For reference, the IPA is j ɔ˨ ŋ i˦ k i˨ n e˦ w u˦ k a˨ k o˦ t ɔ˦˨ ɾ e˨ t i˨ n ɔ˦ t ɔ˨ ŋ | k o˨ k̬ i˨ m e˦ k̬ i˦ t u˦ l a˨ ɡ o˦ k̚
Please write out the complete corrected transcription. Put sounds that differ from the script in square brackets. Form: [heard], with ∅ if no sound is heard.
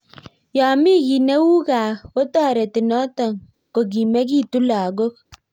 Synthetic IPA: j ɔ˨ [m] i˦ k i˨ n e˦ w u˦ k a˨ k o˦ t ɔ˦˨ ɾ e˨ t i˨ n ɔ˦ t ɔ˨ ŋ | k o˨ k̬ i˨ m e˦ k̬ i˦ t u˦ l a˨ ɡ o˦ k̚